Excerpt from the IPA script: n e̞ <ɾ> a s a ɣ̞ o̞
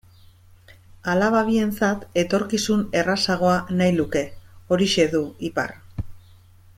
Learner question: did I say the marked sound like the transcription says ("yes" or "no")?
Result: no